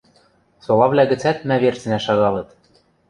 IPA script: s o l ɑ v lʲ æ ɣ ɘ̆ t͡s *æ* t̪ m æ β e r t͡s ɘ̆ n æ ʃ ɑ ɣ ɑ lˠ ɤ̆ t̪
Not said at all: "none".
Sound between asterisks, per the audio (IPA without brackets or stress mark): æ